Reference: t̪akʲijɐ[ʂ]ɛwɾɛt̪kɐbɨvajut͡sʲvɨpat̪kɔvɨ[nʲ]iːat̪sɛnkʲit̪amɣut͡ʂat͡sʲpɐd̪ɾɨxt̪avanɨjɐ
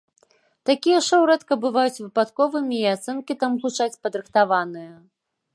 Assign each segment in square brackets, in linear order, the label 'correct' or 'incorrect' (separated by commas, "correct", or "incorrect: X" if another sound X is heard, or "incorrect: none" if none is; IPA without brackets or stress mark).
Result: correct, incorrect: mʲ